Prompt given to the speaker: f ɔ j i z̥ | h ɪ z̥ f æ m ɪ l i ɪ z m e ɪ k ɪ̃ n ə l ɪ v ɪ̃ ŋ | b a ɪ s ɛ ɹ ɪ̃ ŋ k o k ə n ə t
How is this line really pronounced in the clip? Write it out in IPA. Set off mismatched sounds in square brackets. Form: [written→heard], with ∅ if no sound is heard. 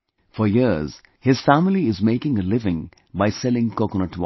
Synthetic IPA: f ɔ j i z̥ | h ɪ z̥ f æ m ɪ l i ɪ z m e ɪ k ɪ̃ [n→ŋ] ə l ɪ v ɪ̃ ŋ | b a ɪ s ɛ [ɹ→l] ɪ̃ ŋ k o k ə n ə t

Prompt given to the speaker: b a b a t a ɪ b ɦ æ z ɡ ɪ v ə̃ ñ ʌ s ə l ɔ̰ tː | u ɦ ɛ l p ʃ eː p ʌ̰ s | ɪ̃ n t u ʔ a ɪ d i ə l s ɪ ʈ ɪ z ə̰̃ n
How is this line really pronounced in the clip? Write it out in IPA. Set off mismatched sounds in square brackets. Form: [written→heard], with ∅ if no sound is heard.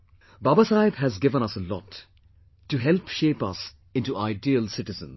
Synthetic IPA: b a b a [t→s] a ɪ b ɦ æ z ɡ ɪ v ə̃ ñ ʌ s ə l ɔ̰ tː | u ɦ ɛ l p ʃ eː p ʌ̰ s | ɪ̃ n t u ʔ a ɪ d i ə l s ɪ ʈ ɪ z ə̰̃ n

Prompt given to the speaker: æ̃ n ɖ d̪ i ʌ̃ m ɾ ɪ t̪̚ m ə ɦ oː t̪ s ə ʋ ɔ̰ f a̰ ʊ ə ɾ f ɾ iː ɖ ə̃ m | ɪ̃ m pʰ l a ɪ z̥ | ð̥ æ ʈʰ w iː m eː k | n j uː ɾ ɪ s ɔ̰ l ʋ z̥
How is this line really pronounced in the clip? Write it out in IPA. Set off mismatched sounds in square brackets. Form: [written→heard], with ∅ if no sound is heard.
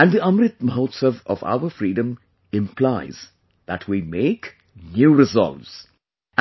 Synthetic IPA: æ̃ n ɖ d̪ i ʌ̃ m ɾ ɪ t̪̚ m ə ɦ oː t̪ s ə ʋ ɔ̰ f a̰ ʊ ə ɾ f ɾ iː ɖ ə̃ m | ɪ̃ m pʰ l a ɪ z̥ | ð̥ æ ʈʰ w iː m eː k | n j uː ɾ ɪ [s→z] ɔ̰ l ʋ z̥

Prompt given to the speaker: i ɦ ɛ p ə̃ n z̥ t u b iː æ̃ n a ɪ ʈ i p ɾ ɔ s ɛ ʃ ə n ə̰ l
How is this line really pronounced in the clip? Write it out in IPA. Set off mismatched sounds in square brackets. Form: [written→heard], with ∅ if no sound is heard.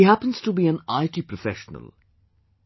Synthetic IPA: i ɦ [ɛ→æ] p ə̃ n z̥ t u b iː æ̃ n a ɪ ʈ i p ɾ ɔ [s→f] ɛ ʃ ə n ə̰ l

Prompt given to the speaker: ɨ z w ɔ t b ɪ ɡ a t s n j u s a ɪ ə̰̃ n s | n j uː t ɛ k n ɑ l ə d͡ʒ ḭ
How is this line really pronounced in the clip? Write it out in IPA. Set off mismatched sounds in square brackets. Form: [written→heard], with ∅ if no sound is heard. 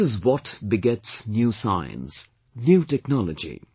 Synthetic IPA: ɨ z w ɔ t b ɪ ɡ [a→ɛ] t s n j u s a ɪ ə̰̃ n s | n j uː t ɛ k n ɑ l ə d͡ʒ ḭ

